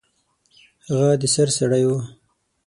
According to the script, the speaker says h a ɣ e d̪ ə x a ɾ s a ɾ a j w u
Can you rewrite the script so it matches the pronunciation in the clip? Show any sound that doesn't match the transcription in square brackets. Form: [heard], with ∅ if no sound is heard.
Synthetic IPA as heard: h a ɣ [a] d̪ ə [s] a ɾ s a [ɽ] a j w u